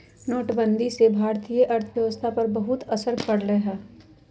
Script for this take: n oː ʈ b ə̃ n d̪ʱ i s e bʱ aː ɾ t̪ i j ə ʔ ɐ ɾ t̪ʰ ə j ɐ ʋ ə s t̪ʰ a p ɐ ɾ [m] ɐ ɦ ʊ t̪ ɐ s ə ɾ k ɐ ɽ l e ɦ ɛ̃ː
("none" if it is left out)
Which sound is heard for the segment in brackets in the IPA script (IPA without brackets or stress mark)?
b